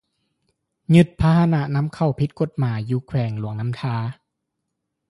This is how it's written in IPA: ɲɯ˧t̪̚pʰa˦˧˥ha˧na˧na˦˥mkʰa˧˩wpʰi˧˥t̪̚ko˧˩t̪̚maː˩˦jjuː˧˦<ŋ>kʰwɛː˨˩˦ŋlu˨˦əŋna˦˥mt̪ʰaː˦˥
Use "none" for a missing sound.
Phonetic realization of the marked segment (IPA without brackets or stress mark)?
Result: none